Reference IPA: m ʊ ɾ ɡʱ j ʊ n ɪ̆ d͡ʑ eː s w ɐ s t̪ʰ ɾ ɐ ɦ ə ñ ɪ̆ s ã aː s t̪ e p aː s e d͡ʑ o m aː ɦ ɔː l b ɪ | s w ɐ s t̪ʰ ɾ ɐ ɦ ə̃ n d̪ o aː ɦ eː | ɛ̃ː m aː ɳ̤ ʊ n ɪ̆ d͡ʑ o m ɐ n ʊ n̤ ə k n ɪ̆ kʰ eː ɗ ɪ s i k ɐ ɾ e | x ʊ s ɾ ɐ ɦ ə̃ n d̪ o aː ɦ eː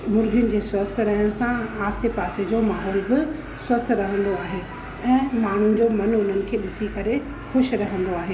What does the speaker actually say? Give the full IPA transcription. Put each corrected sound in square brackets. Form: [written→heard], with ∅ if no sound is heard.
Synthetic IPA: m ʊ ɾ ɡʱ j ʊ n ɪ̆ d͡ʑ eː s w ɐ s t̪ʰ ɾ ɐ ɦ ə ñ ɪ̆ s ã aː s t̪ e p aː s e d͡ʑ o m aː ɦ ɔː l b ɪ | s w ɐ s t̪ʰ ɾ ɐ ɦ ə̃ n d̪ o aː ɦ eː | ɛ̃ː m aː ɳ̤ ʊ n ɪ̆ d͡ʑ o m ɐ n ʊ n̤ ə [k→∅] n ɪ̆ kʰ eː ɗ ɪ s i k ɐ ɾ e | x ʊ [s→ʃ] ɾ ɐ ɦ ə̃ n d̪ o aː ɦ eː